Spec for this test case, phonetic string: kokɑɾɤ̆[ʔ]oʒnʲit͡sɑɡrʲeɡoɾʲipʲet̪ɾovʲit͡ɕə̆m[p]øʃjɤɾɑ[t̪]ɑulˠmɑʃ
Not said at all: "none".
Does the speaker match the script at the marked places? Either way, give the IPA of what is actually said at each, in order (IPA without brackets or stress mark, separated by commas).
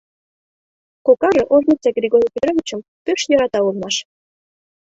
ʔ, p, t̪